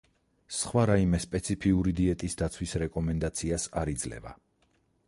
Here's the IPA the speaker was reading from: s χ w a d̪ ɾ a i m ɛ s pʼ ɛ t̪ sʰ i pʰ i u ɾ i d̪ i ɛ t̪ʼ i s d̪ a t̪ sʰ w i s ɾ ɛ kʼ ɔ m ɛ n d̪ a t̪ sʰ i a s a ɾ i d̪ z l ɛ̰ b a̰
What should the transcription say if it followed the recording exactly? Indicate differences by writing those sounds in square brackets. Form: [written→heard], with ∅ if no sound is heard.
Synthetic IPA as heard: s χ w a [d̪→∅] ɾ a i m ɛ s pʼ ɛ t̪ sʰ i pʰ i u ɾ i d̪ i ɛ t̪ʼ i s d̪ a t̪ sʰ w i s ɾ ɛ kʼ ɔ m ɛ n d̪ a t̪ sʰ i a s a ɾ i d̪ z l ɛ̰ [b→v] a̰